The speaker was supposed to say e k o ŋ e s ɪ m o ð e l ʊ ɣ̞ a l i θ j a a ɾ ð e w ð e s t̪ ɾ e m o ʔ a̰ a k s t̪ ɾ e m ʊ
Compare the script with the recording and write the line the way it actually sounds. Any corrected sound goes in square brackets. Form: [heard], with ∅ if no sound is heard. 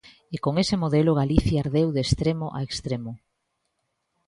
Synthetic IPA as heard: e k o ŋ e s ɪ m o ð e l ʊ ɣ̞ a l i θ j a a ɾ ð e w ð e s t̪ ɾ e m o ʔ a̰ [e] k s t̪ ɾ e m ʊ